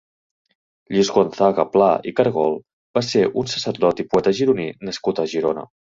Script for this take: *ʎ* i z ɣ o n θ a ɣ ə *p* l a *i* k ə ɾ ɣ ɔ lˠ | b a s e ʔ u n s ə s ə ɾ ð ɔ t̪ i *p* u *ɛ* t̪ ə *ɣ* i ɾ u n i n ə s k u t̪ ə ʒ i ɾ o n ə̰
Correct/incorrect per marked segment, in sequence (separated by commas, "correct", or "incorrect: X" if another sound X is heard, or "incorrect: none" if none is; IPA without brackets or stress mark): correct, correct, correct, correct, correct, incorrect: ʒ